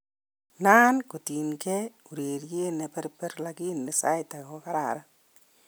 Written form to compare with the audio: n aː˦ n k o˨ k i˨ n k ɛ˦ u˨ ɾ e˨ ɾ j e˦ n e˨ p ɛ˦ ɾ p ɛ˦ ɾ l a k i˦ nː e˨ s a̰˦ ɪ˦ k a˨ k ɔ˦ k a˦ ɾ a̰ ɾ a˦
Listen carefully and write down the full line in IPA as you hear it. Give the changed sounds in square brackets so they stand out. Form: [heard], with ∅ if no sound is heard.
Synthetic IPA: n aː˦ n k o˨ [t] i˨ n k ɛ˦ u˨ ɾ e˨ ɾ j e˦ n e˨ p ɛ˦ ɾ p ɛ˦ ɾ l a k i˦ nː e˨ s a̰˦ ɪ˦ [t] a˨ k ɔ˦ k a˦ ɾ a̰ ɾ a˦